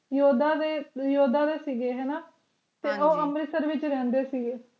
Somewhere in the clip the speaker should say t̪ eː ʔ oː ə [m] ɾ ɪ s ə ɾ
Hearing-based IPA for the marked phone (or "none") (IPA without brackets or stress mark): m